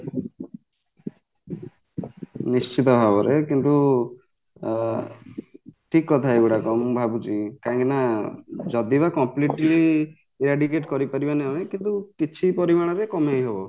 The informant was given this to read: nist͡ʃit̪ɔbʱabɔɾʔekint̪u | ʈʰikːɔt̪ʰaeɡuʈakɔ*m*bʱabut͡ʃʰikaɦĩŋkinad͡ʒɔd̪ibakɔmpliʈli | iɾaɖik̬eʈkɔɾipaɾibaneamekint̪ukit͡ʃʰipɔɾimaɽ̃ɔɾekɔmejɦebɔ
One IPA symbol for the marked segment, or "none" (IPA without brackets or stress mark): m